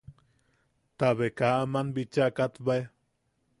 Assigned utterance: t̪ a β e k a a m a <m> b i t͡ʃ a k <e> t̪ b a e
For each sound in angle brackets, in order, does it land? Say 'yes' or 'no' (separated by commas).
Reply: no, no